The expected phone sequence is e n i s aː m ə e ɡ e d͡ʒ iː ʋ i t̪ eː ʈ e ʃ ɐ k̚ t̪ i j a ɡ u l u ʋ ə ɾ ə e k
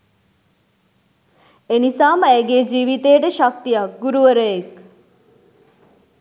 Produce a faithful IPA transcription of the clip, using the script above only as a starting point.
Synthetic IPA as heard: e n i s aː m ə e ɡ e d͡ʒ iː ʋ i t̪ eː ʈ e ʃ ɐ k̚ t̪ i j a ɡ u ɾ u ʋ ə ɾ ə e k